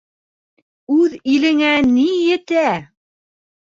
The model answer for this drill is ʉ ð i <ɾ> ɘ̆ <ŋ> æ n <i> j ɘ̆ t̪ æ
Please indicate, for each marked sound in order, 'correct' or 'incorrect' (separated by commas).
incorrect, correct, correct